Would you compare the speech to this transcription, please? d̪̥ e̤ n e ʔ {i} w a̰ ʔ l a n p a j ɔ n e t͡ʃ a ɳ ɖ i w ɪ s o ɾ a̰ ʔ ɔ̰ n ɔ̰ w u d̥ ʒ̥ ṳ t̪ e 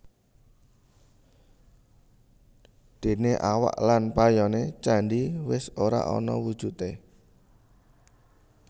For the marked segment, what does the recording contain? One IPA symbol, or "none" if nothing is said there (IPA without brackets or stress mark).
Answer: a